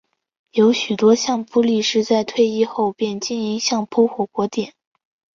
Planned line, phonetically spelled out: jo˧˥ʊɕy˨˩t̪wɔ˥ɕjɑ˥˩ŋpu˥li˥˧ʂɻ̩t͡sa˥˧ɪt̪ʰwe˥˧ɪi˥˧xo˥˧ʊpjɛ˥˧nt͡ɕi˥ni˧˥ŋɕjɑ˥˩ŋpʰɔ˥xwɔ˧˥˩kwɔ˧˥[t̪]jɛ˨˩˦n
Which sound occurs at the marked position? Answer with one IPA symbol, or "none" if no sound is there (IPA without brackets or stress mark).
t̪